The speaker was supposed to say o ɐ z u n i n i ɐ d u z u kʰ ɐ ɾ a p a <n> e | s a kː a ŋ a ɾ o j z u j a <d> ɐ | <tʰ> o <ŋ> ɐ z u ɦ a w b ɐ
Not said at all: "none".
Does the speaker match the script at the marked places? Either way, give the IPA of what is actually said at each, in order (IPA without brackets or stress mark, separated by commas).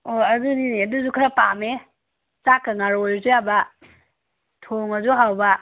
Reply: m, b, tʰ, ŋ